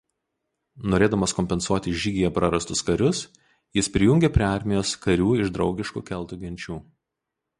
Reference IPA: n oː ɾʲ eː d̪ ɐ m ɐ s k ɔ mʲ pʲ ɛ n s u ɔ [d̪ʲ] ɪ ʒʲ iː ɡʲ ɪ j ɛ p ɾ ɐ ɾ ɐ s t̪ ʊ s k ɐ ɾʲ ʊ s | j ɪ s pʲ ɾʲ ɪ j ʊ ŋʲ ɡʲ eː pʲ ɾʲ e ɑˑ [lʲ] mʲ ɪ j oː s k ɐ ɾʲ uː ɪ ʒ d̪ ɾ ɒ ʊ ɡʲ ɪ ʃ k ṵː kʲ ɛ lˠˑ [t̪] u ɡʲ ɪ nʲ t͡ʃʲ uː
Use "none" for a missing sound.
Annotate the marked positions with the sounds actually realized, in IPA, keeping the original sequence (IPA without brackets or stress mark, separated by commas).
t̪ʲ, ɾʲ, t̪